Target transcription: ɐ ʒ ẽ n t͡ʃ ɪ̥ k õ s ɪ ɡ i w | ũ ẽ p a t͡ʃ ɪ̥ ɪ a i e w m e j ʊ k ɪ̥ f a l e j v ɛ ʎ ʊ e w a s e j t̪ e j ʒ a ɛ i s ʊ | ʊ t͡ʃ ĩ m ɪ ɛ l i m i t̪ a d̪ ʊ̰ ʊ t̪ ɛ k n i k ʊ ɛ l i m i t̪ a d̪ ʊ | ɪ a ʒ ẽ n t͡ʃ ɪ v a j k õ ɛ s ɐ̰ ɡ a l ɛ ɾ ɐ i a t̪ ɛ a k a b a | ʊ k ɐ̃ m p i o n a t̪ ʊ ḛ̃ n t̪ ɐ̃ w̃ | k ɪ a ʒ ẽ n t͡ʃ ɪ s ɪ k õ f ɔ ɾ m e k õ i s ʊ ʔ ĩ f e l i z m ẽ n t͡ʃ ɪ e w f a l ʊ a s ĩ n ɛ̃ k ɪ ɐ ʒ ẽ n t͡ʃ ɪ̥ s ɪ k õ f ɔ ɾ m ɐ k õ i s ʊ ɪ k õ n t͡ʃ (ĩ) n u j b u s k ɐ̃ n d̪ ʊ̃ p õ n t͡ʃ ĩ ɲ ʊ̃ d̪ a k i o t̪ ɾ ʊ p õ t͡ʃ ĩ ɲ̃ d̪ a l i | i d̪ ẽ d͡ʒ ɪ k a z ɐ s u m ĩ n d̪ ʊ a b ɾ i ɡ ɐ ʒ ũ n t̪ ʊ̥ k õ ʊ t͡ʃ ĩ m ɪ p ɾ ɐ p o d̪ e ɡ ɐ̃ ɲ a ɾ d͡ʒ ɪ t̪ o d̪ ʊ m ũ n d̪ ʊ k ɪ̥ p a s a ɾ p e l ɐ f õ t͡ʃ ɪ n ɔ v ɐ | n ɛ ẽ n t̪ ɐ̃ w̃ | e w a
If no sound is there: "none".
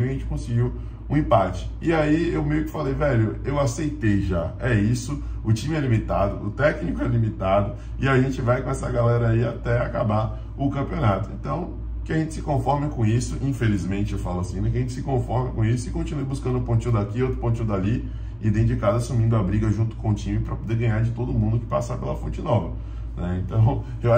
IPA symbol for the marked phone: i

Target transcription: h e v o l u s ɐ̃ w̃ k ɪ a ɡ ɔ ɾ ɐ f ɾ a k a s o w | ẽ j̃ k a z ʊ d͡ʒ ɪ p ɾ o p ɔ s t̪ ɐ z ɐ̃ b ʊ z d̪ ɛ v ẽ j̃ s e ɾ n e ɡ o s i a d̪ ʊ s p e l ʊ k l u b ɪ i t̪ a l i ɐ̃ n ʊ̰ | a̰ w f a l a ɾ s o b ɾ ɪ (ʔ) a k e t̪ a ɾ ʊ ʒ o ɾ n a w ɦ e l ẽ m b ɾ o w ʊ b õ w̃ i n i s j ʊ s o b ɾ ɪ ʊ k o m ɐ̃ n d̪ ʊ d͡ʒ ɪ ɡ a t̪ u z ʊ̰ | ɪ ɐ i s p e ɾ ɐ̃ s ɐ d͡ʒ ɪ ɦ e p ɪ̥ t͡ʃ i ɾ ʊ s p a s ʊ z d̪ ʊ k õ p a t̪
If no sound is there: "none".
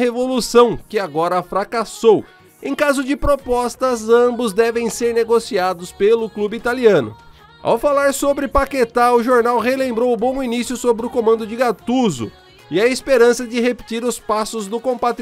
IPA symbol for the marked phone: p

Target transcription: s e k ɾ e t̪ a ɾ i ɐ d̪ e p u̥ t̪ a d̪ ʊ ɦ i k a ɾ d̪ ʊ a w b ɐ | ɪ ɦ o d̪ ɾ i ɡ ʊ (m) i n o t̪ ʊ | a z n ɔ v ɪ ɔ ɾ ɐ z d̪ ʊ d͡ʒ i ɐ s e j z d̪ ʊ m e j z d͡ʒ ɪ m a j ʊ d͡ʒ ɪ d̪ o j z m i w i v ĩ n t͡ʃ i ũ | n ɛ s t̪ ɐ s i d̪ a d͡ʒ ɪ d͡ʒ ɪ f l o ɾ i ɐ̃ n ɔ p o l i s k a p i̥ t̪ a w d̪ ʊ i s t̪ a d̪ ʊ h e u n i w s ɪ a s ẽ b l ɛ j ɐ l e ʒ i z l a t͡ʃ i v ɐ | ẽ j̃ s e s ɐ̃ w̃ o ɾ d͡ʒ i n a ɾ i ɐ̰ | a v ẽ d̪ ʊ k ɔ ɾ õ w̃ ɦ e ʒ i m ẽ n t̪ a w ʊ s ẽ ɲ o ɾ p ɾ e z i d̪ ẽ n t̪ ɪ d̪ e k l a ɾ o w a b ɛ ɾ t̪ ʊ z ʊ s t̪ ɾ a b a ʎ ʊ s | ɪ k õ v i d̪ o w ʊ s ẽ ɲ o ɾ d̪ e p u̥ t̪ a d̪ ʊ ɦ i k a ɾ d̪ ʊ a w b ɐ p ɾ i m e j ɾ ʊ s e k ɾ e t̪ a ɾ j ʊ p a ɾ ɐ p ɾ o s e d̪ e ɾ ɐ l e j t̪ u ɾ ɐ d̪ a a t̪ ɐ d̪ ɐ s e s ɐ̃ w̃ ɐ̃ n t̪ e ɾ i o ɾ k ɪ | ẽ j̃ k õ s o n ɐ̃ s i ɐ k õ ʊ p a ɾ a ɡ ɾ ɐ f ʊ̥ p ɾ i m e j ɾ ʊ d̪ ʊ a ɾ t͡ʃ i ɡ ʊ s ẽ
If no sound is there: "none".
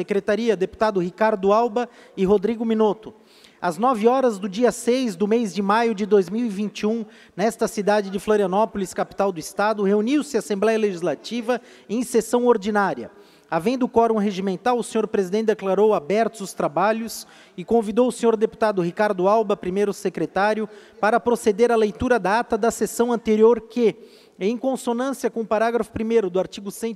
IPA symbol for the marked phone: m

